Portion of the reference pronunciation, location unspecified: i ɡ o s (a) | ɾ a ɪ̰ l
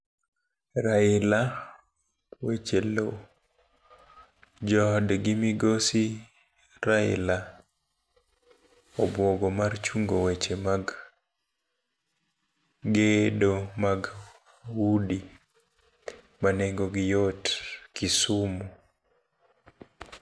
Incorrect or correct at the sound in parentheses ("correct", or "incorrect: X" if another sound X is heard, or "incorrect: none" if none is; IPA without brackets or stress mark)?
incorrect: i